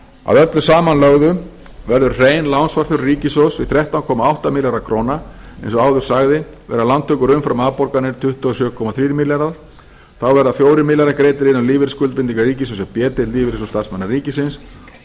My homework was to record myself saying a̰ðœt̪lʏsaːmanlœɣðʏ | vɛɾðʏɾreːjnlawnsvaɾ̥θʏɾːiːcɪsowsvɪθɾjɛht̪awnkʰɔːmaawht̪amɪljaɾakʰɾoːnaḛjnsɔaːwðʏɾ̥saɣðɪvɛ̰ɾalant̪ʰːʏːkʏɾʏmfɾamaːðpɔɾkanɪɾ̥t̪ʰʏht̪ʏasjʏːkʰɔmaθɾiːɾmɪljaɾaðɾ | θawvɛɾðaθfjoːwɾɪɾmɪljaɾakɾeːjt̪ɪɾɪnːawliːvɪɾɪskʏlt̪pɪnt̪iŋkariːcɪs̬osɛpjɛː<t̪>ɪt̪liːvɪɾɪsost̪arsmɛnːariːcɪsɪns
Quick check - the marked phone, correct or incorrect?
correct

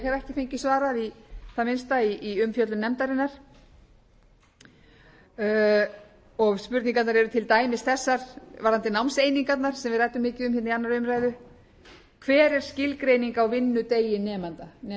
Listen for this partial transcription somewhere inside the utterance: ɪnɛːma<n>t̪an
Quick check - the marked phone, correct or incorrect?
correct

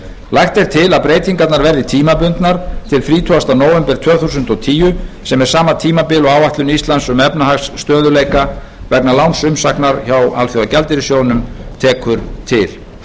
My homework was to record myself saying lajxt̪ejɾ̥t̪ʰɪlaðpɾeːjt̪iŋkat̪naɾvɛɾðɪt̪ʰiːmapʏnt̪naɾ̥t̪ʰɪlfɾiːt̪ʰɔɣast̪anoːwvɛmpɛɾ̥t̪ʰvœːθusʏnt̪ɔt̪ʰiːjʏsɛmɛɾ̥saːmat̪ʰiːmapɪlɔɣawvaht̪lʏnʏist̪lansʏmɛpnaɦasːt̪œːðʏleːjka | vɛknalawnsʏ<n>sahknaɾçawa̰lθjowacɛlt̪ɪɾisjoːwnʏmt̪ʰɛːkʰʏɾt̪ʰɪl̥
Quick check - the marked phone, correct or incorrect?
incorrect: m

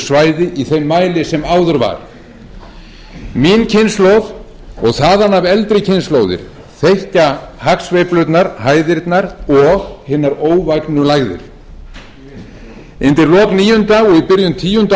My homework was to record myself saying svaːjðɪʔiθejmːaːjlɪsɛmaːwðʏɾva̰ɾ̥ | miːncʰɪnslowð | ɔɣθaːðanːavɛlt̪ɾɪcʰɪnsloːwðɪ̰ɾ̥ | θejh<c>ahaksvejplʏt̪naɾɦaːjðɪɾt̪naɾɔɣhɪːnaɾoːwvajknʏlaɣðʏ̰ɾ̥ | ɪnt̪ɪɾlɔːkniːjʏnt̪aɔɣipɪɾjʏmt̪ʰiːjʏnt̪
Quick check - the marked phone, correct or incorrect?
correct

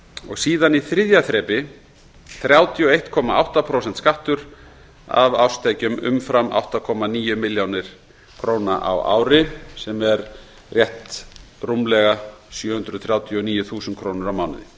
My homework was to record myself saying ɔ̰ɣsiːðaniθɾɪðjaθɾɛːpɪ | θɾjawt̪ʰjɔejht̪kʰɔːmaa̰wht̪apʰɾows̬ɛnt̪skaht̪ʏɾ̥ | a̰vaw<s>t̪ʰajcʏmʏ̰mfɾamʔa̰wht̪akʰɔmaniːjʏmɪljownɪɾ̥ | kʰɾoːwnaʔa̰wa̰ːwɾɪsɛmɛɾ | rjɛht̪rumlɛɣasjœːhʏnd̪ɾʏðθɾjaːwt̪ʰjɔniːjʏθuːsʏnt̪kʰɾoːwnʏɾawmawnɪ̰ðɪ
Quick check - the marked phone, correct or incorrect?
correct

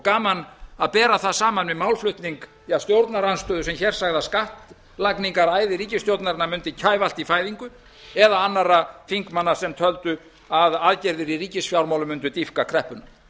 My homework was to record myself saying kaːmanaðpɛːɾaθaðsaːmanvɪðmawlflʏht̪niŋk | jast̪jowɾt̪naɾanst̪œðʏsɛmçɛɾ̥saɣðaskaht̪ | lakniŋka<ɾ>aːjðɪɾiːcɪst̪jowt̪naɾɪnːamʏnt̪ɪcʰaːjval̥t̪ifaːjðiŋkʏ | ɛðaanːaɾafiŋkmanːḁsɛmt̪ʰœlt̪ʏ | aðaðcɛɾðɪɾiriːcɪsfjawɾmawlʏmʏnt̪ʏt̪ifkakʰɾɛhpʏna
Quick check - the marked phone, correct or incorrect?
correct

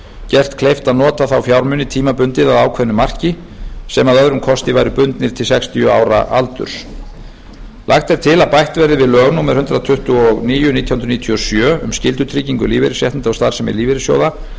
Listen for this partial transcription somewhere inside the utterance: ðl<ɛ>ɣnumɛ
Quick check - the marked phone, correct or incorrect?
incorrect: œ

